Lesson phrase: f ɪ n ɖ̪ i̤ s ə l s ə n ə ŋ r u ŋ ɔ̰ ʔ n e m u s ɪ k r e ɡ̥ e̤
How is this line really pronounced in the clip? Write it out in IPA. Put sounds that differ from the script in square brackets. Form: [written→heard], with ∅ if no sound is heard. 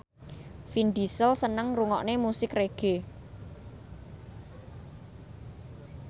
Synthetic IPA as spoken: f [ɪ→i] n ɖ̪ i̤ s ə l s ə n ə ŋ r u ŋ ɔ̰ ʔ n e m u s ɪ k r e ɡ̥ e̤